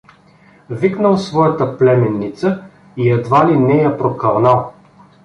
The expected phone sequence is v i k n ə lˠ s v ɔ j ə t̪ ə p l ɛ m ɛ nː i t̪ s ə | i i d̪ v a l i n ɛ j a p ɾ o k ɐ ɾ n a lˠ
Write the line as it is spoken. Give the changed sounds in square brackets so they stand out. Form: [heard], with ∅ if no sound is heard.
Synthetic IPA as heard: v i k n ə lˠ s v ɔ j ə t̪ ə p l ɛ m ɛ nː i t̪ s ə | i [ɛ] d̪ v a l i n ɛ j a p ɾ o k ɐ ɾ n a lˠ